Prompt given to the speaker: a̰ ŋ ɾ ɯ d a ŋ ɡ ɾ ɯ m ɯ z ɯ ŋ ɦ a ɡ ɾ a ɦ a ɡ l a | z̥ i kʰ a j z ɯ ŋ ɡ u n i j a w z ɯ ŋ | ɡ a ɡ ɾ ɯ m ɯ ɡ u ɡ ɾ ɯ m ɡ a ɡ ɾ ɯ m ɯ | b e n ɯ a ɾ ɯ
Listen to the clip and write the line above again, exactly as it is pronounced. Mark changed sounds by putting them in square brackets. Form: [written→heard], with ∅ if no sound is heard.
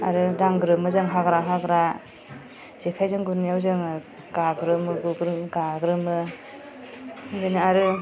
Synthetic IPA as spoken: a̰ [ŋ→∅] ɾ ɯ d a ŋ ɡ ɾ ɯ m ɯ z ɯ ŋ ɦ a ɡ ɾ a ɦ a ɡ [l→ɾ] a | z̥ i kʰ a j z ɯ ŋ ɡ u n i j a w z ɯ ŋ | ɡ a ɡ ɾ ɯ m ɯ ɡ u ɡ ɾ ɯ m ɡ a ɡ ɾ ɯ m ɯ | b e n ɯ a ɾ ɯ